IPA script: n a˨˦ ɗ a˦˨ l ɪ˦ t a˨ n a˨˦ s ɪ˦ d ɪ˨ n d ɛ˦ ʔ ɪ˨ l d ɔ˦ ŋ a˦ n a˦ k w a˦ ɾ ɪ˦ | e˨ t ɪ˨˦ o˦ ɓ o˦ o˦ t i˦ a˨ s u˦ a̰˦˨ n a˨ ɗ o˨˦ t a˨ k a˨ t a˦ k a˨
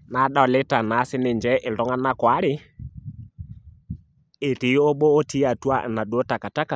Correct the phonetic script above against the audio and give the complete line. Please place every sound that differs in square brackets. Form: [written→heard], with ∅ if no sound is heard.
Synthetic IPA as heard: n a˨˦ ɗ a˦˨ l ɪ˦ t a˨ n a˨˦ s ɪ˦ [d→n] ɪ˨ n [d→d͡ʒ] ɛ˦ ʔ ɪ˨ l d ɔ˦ ŋ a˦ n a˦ k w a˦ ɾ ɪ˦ | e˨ t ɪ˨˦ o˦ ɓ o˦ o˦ t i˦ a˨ [s→t] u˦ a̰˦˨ n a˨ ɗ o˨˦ t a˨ k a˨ t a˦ k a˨